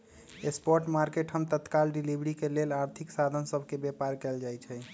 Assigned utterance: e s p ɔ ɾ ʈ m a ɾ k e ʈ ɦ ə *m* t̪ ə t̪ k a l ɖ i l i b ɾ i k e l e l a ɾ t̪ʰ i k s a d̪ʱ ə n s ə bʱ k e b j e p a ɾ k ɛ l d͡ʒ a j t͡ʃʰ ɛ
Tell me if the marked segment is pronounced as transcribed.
yes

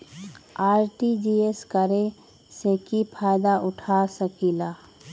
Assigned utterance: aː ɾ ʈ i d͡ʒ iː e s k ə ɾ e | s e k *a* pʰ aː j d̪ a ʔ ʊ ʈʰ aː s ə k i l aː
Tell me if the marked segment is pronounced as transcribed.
no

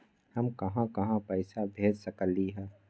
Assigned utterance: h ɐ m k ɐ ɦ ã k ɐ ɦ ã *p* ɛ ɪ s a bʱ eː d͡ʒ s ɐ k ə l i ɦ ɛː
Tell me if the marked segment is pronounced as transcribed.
yes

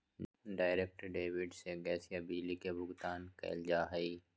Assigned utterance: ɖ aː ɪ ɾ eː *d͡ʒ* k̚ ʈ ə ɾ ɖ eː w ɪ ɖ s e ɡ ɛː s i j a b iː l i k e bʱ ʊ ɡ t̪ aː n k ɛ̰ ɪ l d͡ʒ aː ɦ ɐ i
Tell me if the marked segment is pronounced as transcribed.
no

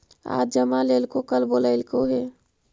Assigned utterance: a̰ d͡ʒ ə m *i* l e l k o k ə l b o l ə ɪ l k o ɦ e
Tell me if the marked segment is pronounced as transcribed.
no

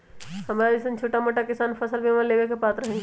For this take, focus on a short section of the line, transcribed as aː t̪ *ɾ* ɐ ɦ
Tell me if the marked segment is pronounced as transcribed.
yes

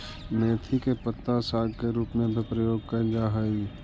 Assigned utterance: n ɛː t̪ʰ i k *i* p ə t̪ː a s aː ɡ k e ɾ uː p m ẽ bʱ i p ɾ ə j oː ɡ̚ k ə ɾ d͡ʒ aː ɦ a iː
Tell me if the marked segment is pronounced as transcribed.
no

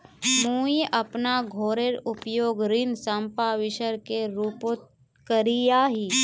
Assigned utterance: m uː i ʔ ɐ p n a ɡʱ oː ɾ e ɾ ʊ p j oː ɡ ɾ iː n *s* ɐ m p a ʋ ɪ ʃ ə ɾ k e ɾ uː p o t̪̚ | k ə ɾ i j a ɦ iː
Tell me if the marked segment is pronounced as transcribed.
yes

